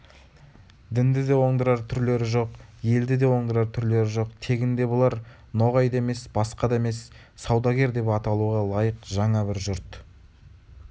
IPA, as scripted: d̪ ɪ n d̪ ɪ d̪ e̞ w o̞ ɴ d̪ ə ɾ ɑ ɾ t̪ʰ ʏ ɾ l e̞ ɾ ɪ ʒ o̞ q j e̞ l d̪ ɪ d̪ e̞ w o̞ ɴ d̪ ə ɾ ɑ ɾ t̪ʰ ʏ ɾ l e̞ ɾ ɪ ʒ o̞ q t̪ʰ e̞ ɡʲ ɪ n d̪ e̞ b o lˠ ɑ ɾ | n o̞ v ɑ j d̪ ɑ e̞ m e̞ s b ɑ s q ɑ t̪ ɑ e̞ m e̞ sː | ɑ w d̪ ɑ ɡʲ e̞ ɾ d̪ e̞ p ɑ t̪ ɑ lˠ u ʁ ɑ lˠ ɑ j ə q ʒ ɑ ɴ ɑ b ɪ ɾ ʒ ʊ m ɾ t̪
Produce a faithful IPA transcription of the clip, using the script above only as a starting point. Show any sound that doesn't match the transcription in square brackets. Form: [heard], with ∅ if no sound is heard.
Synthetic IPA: d̪ ɪ n d̪ ɪ d̪ e̞ w o̞ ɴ d̪ ə ɾ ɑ ɾ t̪ʰ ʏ ɾ l e̞ ɾ ɪ ʒ o̞ q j e̞ l d̪ ɪ d̪ e̞ w o̞ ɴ d̪ ə ɾ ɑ ɾ t̪ʰ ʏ ɾ l e̞ ɾ ɪ ʒ o̞ q t̪ʰ e̞ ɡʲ ɪ n d̪ e̞ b o lˠ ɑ ɾ | n o̞ [ʁ] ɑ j d̪ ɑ e̞ m e̞ s b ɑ s q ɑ [d̪] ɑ e̞ m e̞ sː | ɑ w d̪ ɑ ɡʲ e̞ ɾ d̪ e̞ p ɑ t̪ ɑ lˠ u ʁ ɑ lˠ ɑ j ə q ʒ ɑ ɴ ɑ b ɪ ɾ ʒ ʊ [∅] ɾ t̪